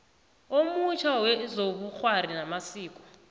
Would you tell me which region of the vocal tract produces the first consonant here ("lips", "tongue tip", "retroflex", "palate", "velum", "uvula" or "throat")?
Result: lips